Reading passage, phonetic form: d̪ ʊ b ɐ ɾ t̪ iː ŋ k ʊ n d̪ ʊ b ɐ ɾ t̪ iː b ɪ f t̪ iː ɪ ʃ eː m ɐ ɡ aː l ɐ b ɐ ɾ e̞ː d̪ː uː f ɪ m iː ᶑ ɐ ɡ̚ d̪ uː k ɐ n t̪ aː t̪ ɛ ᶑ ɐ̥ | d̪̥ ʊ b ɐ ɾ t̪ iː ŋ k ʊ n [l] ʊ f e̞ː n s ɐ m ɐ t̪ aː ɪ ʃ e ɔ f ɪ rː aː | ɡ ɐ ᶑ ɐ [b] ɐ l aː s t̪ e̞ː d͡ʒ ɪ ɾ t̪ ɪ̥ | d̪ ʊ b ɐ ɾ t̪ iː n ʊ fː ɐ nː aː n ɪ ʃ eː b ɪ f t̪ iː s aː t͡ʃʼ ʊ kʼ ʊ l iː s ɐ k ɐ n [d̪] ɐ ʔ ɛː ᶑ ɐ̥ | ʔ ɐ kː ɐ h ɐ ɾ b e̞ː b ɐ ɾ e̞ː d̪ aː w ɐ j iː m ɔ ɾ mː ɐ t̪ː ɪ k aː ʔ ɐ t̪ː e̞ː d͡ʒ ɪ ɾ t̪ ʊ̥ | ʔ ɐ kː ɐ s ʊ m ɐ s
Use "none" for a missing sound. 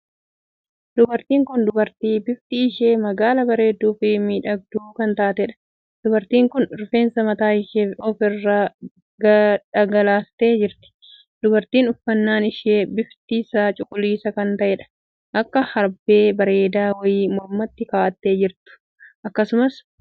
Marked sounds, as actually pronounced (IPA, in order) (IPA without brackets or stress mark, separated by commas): ɾ, ɡ, t̪